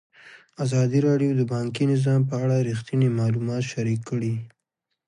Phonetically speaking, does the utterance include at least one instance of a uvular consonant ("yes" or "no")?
no